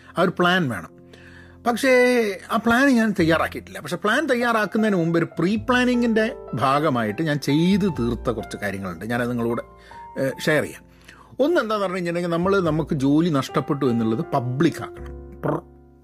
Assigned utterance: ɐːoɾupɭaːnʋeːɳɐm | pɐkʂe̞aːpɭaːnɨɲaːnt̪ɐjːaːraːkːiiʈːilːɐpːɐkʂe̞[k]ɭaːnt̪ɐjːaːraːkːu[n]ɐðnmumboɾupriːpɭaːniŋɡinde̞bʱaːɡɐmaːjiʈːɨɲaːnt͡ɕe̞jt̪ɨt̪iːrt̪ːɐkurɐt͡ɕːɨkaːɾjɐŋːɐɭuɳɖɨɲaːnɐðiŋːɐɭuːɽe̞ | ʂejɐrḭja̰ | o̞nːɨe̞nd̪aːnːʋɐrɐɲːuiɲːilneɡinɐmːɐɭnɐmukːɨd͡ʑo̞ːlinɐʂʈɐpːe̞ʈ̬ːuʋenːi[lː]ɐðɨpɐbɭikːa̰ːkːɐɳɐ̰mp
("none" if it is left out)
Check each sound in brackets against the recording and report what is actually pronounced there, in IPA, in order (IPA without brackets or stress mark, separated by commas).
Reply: p, nː, ɭː